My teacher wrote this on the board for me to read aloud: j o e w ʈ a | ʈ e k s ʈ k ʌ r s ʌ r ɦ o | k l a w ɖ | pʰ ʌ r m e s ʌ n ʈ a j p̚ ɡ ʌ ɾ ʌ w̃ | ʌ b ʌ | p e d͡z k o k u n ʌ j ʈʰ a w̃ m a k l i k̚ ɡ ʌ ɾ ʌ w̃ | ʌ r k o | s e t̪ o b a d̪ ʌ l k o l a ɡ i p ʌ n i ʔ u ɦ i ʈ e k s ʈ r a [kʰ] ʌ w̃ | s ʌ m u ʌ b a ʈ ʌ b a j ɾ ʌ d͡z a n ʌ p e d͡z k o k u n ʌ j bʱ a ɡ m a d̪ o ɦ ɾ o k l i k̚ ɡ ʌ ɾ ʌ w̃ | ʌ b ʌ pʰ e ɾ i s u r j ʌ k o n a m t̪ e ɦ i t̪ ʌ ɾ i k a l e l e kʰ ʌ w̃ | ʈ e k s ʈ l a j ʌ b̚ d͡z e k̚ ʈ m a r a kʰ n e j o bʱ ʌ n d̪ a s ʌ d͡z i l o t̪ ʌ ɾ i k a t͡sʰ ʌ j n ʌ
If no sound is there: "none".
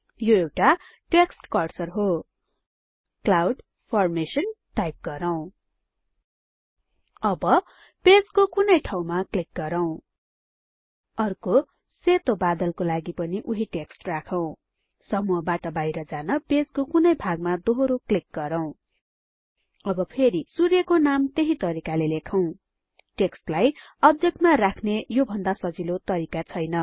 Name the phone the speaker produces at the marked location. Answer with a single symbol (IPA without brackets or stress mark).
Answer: kʰ